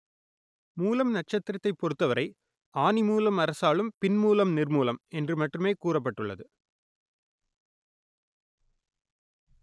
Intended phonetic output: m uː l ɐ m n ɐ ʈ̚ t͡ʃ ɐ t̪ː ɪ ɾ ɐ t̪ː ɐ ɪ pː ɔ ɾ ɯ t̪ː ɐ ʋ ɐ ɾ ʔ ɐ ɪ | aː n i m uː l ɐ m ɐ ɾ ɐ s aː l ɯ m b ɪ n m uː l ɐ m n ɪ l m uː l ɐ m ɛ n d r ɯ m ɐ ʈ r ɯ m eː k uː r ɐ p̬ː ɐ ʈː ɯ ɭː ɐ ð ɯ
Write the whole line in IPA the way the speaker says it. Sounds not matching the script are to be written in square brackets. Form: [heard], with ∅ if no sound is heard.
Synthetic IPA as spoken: m uː l ɐ m n ɐ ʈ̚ t͡ʃ ɐ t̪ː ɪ ɾ ɐ t̪ː ɐ ɪ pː ɔ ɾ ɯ t̪ː ɐ ʋ ɐ ɾ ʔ ɐ ɪ | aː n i m uː l ɐ m ɐ ɾ ɐ s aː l ɯ m [p] ɪ n m uː l ɐ m n ɪ [r] m uː l ɐ m ɛ n d r ɯ m ɐ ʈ r ɯ m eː k uː r ɐ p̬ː ɐ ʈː ɯ ɭː ɐ ð ɯ